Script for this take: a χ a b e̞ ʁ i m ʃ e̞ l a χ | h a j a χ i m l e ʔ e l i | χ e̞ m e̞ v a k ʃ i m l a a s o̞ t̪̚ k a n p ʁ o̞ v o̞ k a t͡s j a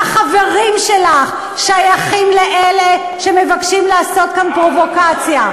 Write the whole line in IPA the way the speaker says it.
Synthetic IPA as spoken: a χ a v e̞ ʁ i m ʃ e̞ l a χ | ʃ a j a χ i m l e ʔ e l e | ʃ e̞ m e̞ v a k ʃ i m l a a s o̞ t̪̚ k a n p ʁ o̞ v o̞ k a t͡s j a